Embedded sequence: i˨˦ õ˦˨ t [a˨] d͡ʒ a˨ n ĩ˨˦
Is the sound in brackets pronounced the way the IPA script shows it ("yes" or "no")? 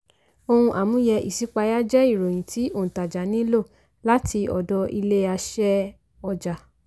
yes